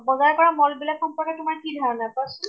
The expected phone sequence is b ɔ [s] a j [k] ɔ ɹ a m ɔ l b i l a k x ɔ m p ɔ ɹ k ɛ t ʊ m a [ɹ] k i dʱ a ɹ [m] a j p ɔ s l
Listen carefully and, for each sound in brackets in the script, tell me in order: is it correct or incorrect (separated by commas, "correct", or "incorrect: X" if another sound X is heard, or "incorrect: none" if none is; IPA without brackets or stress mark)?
incorrect: z, correct, correct, incorrect: n